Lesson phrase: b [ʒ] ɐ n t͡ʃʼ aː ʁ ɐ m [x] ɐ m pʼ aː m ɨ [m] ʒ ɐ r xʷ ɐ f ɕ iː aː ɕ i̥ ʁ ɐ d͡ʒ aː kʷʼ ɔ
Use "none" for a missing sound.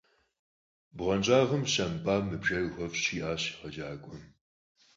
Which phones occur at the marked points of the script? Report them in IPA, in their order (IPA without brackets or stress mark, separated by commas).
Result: ʁ, ɕ, b